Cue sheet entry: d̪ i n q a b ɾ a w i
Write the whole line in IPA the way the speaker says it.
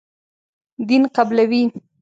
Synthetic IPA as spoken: d̪ i n q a b l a w i